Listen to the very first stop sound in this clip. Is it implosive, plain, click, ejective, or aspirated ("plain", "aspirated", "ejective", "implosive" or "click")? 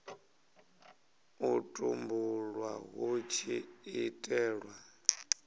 ejective